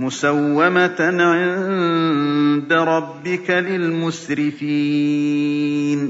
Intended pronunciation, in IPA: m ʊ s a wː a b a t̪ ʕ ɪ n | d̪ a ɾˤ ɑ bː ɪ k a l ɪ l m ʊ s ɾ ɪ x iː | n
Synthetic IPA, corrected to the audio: m ʊ s a wː a m a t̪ ʕ ɪ n | d̪ a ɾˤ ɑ bː ɪ k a l ɪ l m ʊ s ɾ ɪ f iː | n